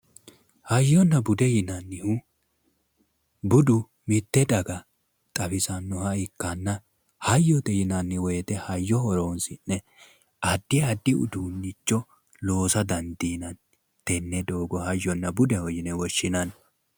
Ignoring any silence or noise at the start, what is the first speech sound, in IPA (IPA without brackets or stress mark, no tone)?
h